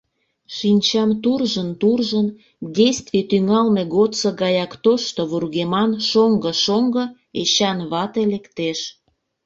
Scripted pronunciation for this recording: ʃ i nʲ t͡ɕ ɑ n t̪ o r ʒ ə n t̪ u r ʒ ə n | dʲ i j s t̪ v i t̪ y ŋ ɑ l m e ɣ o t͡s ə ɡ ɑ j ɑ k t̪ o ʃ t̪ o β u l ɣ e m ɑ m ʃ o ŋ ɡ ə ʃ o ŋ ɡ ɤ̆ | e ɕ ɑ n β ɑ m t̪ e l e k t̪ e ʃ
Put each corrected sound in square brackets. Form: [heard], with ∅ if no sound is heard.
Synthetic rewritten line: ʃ i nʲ t͡ɕ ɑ [m] t̪ [u] r ʒ ə n t̪ u r ʒ ə n | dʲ [e] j s t̪ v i t̪ y ŋ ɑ l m e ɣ o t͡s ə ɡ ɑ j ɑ k t̪ o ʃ t̪ o β u [r] ɣ e m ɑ [n] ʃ o ŋ ɡ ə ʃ o ŋ ɡ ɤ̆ | e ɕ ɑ n β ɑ [∅] t̪ e l e k t̪ e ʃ